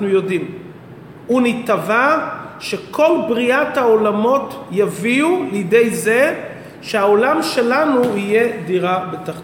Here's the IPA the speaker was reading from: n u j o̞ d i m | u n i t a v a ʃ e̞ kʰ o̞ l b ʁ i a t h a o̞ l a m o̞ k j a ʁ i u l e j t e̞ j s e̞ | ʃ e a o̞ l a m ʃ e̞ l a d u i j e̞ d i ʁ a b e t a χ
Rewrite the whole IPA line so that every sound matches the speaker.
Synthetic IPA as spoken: n u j o̞ d i m | u n i t a v a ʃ e̞ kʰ o̞ l b ʁ i a t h a o̞ l a m o̞ t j a v i u l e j d e̞ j z e̞ | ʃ e a o̞ l a m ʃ e̞ l a n u i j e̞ d i ʁ a b e t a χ